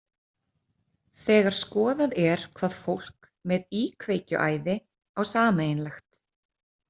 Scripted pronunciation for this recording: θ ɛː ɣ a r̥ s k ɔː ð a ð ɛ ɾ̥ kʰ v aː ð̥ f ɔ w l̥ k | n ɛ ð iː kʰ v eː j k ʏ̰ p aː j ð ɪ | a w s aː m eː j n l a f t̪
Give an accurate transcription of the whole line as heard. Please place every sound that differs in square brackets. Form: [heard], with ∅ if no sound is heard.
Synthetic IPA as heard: θ ɛː ɣ a [ɾ̥] s k ɔː ð a ð ɛ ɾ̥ kʰ v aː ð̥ f [o] w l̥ k | [m] ɛ ð iː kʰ v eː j [c] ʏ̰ [ʔ] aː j ð ɪ | a w s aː m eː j n l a [x] t̪

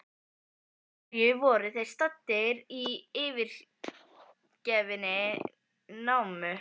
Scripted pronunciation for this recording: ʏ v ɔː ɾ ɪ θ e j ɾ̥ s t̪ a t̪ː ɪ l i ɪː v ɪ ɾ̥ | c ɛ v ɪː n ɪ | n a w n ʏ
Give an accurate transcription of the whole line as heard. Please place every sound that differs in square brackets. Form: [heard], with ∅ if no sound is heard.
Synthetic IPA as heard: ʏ v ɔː ɾ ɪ θ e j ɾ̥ s t̪ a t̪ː ɪ [ɾ] i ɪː v ɪ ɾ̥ | c ɛ v [ɪ] n ɪ | n a w [m] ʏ

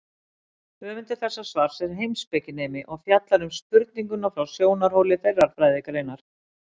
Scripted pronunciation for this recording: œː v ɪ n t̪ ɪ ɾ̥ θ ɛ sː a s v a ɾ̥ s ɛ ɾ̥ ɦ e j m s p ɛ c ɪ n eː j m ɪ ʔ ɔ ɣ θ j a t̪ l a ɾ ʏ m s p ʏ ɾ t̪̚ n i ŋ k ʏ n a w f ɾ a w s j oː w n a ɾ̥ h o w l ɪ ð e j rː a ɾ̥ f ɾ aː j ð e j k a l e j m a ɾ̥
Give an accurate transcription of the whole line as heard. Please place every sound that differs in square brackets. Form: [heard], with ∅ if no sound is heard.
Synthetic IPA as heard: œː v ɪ n t̪ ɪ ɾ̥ θ ɛ sː a s v a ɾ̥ s ɛ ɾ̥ ɦ e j m s p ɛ c ɪ n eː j m ɪ ʔ ɔ ɣ [f] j a t̪ l a ɾ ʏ m s p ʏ ɾ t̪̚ n i ŋ k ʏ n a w f ɾ a w s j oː w n a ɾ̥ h o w l ɪ [θ] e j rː a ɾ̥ f ɾ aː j ð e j k a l e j [n] a ɾ̥

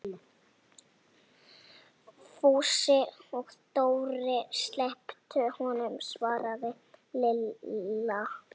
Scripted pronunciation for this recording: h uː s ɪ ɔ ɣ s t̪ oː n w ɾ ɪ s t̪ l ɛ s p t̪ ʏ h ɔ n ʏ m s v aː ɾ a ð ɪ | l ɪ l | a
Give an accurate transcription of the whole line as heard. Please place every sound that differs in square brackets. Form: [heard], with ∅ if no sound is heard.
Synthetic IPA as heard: [f] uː s ɪ ɔ ɣ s t̪ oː [∅] w ɾ ɪ s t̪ l ɛ [h] p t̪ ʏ h ɔ n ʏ m s v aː ɾ a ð ɪ | l ɪ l | a

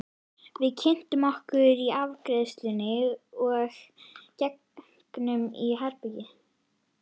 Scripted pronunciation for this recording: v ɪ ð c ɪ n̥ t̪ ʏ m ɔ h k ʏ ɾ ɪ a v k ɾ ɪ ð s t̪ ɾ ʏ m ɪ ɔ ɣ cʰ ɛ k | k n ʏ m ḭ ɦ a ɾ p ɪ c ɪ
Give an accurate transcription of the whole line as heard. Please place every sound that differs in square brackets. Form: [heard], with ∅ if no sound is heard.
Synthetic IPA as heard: v ɪ ð [cʰ] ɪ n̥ t̪ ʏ m ɔ h k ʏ ɾ [i] a v k ɾ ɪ ð s t̪ [l] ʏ [n] ɪ ɔ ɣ [c] ɛ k | k n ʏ m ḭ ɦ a ɾ p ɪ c ɪ

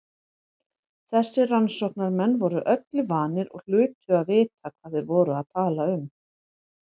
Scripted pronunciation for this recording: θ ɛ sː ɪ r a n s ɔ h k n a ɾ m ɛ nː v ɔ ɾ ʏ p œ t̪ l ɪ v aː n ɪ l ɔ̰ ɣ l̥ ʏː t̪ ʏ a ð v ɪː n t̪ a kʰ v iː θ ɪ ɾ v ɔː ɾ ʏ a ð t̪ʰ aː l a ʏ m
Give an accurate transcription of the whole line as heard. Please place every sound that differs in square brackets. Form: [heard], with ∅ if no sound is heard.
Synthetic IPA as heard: θ ɛ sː ɪ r a n s ɔ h k n a ɾ m ɛ nː v ɔ ɾ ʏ [ʔ] œ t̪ l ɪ v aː n ɪ [ɾ] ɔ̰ ɣ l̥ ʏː t̪ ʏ a ð v ɪː [∅] t̪ a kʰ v [aː] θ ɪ ɾ v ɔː ɾ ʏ a ð t̪ʰ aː l a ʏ m

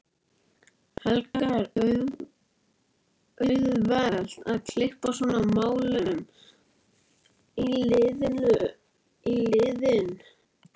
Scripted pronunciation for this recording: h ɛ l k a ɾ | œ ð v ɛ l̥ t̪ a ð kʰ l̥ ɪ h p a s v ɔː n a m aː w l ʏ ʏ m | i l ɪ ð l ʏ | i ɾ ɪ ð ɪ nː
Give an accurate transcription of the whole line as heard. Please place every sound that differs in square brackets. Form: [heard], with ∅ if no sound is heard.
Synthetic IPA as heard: h ɛ l k a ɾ | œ ð v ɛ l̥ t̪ a ð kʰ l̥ ɪ h p a s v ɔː n a m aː w l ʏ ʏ m | i l ɪ ð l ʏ | i [l] ɪ ð ɪ [n]

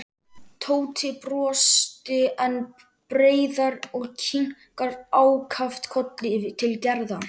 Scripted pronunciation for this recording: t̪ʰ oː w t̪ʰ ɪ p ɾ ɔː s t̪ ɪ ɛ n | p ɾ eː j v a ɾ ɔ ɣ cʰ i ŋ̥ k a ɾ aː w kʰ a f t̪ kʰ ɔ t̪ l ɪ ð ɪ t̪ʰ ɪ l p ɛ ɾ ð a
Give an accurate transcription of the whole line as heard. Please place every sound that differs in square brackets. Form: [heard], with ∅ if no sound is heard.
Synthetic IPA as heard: t̪ʰ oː w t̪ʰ ɪ p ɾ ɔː s t̪ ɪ ɛ n | p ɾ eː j [ð] a ɾ ɔ ɣ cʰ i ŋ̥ k a ɾ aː w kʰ a f t̪ kʰ ɔ t̪ l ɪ [v] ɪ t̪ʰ ɪ l [c] ɛ ɾ ð a

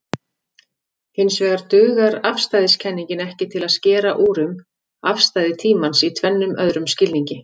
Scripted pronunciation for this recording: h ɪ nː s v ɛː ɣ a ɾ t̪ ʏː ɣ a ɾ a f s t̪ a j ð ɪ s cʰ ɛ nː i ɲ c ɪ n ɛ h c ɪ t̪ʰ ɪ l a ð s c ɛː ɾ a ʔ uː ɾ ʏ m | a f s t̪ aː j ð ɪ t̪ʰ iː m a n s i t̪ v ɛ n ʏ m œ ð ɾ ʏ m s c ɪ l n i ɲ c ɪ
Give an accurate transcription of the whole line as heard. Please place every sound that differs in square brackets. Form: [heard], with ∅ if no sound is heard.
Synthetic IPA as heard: h ɪ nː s v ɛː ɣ a ɾ t̪ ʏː ɣ a ɾ a f s t̪ a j ð ɪ s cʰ ɛ nː i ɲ c ɪ n ɛ h c ɪ t̪ʰ ɪ l a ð s c ɛː ɾ a ʔ uː ɾ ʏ m | a f s t̪ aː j ð ɪ t̪ʰ iː m a n s i [t̪ʰ] v ɛ [nː] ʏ m œ ð ɾ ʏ m s c ɪ l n i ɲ c ɪ

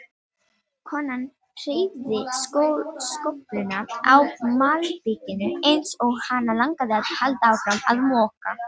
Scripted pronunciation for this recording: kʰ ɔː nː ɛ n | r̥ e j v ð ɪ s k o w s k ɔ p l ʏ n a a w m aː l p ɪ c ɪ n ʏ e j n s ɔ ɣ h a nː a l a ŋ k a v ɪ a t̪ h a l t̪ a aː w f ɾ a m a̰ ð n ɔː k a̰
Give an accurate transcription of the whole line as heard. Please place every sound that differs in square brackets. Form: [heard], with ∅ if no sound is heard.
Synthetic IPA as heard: kʰ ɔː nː [a] n | r̥ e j v ð ɪ s k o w s k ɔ p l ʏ n a a w m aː l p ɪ c ɪ n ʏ e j n s ɔ ɣ h a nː a l a ŋ k a [ð] ɪ a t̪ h a l t̪ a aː w f ɾ a m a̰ ð [m] ɔː k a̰

